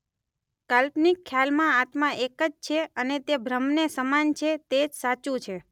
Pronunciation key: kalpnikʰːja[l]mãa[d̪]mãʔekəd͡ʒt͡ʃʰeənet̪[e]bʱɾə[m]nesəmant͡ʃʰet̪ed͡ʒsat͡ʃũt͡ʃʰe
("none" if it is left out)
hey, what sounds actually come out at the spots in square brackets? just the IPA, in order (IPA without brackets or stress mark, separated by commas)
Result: l, t̪, e, m